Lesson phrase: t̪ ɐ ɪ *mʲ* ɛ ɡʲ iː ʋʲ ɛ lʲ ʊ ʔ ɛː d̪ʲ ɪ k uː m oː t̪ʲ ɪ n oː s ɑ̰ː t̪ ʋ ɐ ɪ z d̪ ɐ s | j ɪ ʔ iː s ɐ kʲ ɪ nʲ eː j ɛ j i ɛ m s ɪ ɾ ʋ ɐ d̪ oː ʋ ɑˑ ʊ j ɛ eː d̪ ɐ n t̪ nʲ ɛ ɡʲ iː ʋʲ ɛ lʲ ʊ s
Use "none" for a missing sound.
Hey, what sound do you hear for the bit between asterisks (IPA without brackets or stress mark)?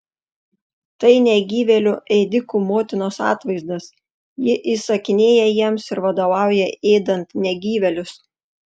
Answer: nʲ